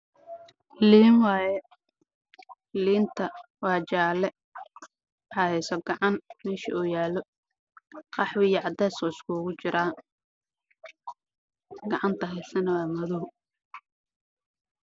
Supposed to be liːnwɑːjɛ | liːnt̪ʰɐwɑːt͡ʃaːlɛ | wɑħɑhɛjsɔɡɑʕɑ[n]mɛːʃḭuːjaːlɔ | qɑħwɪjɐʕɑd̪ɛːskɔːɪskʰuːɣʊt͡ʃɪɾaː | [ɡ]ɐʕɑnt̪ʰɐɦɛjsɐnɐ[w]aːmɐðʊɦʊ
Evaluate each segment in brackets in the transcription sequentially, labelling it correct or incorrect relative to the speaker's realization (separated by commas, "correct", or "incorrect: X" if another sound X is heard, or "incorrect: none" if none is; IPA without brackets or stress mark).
correct, correct, correct